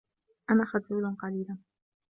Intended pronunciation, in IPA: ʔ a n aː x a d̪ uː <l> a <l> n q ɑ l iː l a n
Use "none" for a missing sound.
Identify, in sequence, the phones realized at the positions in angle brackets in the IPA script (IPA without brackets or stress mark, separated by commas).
l, none